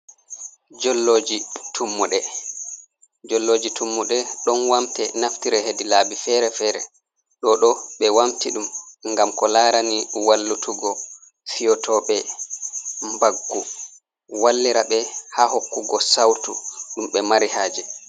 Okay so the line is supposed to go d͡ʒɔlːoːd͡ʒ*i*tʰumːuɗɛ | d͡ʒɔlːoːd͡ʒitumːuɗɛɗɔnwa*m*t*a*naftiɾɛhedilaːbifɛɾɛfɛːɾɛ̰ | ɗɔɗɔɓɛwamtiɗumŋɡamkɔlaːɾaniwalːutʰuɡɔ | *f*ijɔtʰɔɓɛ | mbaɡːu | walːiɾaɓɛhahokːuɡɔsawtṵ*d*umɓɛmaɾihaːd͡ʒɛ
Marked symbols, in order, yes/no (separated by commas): yes, yes, no, yes, no